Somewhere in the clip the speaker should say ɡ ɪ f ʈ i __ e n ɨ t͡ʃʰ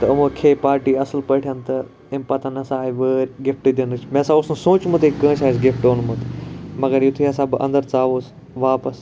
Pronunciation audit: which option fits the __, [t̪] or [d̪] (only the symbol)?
d̪